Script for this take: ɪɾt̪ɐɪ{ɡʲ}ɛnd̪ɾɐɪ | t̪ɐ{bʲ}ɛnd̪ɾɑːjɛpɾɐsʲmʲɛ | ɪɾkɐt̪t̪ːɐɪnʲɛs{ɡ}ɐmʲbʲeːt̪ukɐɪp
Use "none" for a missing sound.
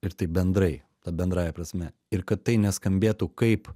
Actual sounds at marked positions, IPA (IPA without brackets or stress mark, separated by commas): bʲ, bʲ, k